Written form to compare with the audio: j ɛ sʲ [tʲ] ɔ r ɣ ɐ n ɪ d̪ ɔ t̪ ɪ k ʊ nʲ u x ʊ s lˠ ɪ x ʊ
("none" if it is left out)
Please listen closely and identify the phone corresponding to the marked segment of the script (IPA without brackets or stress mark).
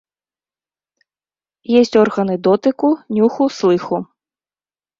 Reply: tʲ